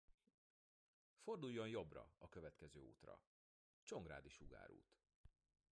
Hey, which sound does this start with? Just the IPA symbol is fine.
f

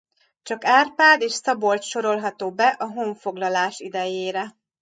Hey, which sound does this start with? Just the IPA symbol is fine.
t͡ʃ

